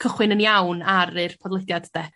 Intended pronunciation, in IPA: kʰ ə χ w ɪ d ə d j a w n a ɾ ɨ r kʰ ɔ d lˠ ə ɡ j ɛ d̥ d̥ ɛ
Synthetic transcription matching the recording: kʰ ə χ w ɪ n ə n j a w n a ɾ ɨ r pʰ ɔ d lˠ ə d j a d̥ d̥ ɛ